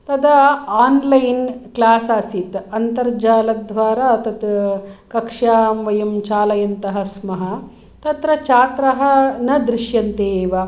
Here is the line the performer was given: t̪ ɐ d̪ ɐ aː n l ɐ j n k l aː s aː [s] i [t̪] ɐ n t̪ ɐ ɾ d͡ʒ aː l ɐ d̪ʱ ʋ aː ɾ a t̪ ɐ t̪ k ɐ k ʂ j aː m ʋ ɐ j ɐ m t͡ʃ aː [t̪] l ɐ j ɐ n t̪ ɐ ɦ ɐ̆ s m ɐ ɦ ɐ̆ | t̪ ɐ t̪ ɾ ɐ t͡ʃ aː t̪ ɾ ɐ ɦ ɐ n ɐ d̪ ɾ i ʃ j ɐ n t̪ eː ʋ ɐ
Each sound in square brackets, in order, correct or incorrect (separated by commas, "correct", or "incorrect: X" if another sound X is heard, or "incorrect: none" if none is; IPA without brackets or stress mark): correct, correct, incorrect: none